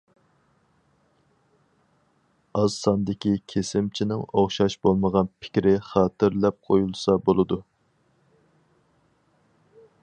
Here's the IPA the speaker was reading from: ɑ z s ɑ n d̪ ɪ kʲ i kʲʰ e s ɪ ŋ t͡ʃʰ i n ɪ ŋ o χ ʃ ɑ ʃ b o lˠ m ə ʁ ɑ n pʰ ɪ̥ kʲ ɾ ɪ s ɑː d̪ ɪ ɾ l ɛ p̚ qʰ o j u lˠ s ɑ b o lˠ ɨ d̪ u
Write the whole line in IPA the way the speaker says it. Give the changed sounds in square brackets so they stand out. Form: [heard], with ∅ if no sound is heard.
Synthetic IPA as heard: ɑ z s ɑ n d̪ ɪ kʲ i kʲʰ e s ɪ [m] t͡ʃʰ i n ɪ ŋ o χ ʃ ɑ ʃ b o lˠ m ə ʁ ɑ n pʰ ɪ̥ kʲ ɾ ɪ [χ] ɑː [t̪] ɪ ɾ l ɛ p̚ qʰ o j u lˠ s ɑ b o lˠ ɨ d̪ u